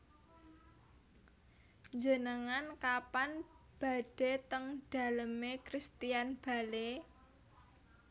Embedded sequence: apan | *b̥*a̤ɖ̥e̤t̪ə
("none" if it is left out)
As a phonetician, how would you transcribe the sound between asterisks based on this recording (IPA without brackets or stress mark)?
b̥